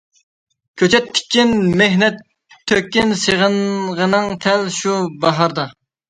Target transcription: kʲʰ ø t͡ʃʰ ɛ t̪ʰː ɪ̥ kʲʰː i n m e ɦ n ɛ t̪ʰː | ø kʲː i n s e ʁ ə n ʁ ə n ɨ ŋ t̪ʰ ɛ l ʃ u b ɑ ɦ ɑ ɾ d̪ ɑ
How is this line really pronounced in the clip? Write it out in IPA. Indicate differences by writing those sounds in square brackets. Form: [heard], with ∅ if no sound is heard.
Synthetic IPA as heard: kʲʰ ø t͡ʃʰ ɛ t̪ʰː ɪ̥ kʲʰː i n m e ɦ n ɛ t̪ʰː | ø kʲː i n s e ʁ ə n ʁ ə n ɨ ŋ t̪ʰ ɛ l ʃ u b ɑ ɦ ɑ ɾ d̪ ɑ